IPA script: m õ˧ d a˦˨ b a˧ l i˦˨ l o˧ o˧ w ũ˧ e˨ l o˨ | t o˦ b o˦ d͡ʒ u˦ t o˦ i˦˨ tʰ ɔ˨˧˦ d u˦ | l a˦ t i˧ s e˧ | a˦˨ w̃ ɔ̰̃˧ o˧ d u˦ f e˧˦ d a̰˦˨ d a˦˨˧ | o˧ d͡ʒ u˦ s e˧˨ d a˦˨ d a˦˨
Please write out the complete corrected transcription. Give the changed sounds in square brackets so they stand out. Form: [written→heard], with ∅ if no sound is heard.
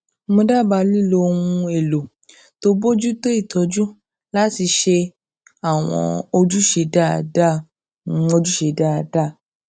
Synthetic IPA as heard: m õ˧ d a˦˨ b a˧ l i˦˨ l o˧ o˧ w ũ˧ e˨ l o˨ | t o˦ b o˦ d͡ʒ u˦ t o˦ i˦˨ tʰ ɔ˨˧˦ [d→d͡ʒ] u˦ | l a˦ t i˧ [s→ʃ] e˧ | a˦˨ w̃ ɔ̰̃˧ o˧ [d→d͡ʒ] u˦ [f→ʃ] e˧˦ d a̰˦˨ d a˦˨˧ | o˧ d͡ʒ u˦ [s→ʃ] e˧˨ d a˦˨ d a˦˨

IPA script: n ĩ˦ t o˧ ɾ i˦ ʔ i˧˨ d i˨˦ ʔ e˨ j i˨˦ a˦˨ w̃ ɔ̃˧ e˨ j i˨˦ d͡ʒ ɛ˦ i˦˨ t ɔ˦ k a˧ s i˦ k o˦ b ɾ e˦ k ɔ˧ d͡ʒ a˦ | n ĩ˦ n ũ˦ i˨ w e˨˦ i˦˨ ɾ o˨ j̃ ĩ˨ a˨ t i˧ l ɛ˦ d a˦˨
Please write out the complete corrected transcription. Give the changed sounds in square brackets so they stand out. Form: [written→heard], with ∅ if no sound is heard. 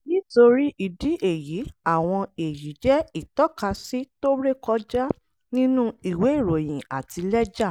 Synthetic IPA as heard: n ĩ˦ t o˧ ɾ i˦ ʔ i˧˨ d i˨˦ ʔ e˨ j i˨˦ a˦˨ w̃ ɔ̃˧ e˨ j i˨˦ d͡ʒ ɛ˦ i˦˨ t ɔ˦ k a˧ s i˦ [k→t] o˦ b ɾ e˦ k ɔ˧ d͡ʒ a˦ | n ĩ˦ n ũ˦ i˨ w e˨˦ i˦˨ ɾ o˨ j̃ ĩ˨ a˨ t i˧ l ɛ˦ [d→d͡ʒ] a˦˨

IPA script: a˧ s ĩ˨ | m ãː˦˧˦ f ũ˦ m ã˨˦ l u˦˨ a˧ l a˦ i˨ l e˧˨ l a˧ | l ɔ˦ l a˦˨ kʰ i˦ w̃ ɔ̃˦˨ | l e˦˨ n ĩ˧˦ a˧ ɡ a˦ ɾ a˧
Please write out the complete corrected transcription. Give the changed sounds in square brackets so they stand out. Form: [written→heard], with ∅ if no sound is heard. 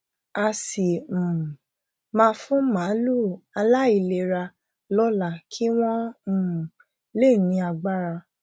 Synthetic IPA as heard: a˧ s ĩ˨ | m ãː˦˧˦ f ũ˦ m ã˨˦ l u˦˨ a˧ l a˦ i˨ l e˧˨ [l→ɾ] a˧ | l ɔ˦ l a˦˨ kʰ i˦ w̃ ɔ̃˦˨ | l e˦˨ n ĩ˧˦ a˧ [ɡ→ɡ͡b] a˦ ɾ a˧

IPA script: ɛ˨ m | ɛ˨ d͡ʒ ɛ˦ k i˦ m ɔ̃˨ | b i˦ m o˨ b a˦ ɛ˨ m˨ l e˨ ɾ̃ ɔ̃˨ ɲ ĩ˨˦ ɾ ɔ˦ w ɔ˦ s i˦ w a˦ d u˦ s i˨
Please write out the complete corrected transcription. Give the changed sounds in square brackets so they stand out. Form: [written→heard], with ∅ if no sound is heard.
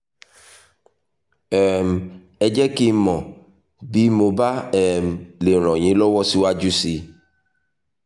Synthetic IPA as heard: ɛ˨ m | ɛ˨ d͡ʒ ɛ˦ k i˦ m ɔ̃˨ | b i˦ m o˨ b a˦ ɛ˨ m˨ l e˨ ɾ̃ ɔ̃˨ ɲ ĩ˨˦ [ɾ→l] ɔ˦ w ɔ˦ s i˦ w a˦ [d→d͡ʒ] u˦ s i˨

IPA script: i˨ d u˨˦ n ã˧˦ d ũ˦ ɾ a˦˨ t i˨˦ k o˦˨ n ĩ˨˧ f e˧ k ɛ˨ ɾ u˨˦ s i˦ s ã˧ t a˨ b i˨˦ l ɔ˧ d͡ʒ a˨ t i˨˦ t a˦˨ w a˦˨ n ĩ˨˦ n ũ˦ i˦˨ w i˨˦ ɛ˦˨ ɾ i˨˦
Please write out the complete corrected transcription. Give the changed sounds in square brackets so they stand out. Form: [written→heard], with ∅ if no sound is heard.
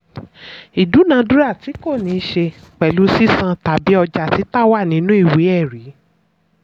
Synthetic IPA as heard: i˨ d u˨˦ n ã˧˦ d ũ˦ ɾ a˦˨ t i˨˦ k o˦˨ n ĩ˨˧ [f→ʃ] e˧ [k→k͡p] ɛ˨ [ɾ→l] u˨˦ s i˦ s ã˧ t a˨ b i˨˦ [l→∅] ɔ˧ d͡ʒ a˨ t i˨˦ t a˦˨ w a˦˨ n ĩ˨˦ n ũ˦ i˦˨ w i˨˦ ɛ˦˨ ɾ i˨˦

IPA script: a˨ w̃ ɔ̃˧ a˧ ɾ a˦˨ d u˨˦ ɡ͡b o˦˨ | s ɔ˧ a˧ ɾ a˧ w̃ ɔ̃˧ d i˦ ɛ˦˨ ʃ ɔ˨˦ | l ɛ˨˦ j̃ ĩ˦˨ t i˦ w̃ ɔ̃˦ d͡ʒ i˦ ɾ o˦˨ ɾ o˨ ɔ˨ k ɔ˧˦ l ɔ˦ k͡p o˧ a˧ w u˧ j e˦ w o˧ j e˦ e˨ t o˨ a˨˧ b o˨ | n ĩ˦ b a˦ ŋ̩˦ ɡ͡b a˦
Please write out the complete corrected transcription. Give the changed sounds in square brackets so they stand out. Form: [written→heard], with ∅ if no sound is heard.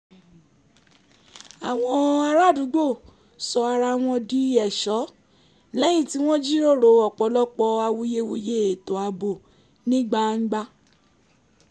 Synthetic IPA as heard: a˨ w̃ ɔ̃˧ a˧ ɾ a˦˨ d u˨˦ ɡ͡b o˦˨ | s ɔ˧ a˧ ɾ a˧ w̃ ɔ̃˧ d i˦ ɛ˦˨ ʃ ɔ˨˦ | l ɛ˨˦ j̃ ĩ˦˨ t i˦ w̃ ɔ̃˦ d͡ʒ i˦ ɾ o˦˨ ɾ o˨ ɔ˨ [k→k͡p] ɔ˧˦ l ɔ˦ k͡p [o˧→ɔ˧] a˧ w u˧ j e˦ w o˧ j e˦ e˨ t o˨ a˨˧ b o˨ | n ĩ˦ [b→ɡ͡b] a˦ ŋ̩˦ ɡ͡b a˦

